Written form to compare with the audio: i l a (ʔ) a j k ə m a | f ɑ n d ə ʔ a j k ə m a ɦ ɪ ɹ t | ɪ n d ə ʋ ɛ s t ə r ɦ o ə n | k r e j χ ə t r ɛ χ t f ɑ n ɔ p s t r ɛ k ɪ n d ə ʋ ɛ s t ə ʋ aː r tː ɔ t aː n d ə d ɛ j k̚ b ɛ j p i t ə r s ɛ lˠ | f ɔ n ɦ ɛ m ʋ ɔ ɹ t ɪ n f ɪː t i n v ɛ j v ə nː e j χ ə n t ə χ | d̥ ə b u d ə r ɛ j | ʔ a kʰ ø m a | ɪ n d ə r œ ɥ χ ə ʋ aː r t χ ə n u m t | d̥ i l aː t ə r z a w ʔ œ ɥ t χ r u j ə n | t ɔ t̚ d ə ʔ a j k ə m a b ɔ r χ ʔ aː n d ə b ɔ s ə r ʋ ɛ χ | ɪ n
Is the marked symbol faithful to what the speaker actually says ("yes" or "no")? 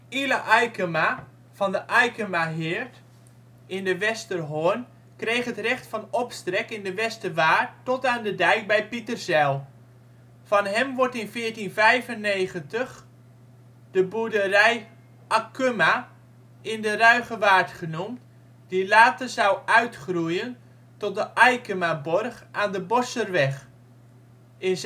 yes